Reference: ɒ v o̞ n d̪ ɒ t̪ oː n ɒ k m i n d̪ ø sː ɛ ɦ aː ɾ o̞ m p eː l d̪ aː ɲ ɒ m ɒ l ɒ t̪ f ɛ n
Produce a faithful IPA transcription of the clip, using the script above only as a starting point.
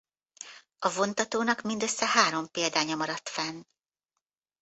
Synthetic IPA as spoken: ɒ v o̞ n t̪ ɒ t̪ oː n ɒ k m i n d̪ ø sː ɛ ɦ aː ɾ o̞ m p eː l d̪ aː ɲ ɒ m ɒ ɾ ɒ t̪ f ɛ n